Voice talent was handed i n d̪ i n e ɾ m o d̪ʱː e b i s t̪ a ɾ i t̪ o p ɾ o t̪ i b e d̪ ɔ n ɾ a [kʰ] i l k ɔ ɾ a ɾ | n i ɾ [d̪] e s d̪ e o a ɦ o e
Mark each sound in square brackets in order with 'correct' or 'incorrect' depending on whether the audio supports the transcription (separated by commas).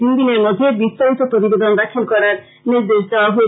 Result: correct, correct